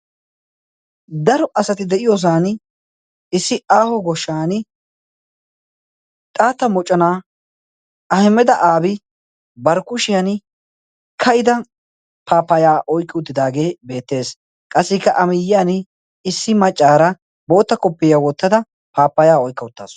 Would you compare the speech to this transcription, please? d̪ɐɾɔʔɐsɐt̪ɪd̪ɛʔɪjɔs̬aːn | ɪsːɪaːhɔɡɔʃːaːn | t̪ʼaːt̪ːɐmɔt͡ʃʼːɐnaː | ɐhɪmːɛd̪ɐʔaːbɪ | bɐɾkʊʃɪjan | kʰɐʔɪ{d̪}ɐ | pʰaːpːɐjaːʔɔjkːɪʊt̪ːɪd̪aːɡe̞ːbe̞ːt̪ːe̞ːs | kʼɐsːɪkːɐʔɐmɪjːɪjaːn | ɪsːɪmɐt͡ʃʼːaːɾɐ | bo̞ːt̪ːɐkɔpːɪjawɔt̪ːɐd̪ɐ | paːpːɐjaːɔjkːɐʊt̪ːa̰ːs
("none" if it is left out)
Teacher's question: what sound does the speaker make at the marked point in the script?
d̪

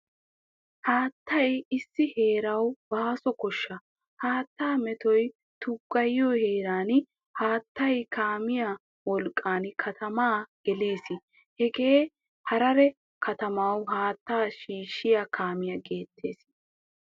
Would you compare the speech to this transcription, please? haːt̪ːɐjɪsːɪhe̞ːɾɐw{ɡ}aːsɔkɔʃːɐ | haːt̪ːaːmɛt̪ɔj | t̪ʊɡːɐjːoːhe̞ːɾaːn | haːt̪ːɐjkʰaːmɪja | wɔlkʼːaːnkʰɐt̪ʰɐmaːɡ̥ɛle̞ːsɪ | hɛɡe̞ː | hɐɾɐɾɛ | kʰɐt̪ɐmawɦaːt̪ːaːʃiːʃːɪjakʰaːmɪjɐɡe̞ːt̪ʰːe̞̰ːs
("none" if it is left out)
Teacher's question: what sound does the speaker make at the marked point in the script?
b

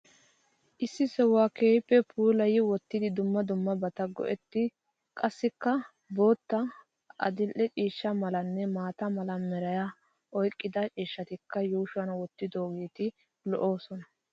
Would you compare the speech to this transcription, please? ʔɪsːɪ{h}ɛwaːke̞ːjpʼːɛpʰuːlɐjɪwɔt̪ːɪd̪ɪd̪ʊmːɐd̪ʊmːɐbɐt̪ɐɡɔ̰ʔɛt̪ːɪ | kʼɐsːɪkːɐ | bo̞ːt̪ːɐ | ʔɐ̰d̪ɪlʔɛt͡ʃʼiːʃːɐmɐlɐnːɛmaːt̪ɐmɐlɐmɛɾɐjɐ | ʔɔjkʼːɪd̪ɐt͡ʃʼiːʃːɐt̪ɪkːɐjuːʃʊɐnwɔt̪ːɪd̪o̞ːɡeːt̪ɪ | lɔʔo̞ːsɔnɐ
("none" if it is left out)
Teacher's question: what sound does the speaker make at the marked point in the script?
s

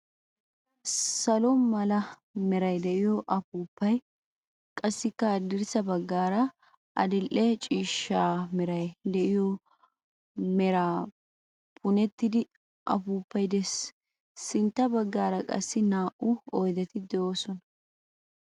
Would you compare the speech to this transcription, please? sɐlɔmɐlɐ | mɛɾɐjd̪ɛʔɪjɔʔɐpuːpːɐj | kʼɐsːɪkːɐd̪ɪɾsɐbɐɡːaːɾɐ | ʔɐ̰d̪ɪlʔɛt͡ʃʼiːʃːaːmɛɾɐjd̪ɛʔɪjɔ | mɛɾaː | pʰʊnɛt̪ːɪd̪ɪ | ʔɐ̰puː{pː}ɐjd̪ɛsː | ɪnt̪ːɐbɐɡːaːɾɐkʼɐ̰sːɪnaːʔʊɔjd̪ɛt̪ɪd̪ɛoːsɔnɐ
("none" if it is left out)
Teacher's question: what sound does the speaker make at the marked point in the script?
pː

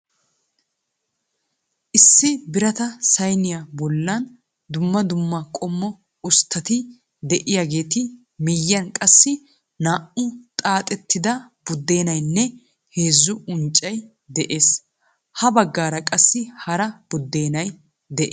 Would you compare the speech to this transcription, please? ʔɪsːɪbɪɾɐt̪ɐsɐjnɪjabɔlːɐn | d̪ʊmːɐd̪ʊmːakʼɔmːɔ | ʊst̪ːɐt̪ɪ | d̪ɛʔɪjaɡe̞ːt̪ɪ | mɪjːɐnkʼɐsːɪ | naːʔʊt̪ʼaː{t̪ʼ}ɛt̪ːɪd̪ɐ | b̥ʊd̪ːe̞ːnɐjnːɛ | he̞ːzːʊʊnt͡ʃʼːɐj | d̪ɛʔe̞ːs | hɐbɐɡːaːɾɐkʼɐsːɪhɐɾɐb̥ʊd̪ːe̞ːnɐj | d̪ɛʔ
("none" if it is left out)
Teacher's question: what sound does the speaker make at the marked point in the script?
t̪ʼ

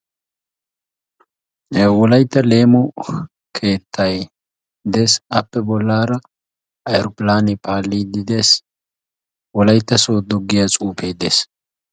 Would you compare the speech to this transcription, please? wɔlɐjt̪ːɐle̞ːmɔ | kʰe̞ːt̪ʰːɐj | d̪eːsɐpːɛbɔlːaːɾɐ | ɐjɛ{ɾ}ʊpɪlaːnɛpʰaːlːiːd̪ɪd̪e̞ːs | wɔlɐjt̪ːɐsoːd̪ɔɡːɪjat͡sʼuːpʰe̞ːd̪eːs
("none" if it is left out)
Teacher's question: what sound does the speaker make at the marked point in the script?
ɾ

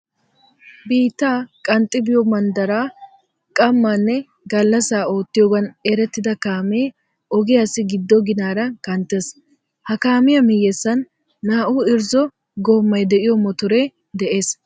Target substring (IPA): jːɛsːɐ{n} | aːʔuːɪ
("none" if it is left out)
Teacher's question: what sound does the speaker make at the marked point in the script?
nː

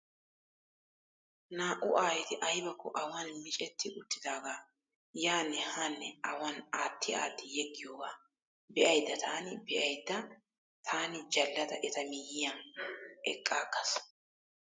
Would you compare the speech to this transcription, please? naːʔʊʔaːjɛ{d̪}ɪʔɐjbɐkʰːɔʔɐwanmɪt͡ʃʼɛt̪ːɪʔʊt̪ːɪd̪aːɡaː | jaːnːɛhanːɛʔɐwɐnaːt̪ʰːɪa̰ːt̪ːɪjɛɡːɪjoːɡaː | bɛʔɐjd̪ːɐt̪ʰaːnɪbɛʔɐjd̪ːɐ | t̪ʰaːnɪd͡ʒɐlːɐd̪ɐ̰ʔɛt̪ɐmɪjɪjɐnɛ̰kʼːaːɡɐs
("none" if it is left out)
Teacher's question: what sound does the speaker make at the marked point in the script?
t̪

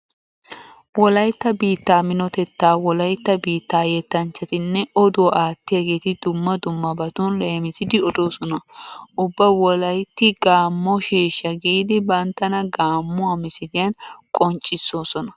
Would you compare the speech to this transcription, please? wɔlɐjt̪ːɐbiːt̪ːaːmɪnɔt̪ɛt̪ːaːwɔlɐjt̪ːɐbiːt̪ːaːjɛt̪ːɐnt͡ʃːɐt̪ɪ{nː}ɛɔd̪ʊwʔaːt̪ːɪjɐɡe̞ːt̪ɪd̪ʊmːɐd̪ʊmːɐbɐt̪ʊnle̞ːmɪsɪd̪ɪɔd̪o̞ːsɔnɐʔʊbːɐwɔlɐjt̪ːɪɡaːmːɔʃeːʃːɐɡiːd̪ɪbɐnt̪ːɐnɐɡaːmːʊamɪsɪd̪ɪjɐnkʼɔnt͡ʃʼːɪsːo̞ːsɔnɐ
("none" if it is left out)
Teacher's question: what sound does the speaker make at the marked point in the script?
nː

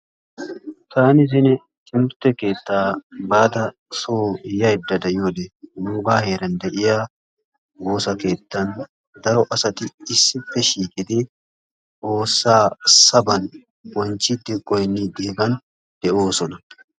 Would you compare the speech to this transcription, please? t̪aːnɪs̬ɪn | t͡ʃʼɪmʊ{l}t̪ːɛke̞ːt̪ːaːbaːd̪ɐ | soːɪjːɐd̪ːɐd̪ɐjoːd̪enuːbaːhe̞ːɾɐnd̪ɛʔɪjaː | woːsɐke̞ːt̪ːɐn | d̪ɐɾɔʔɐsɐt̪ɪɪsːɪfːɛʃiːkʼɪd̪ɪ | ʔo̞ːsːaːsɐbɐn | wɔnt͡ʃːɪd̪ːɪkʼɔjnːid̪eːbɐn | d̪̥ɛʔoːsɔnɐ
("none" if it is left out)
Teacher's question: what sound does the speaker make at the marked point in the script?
ɾ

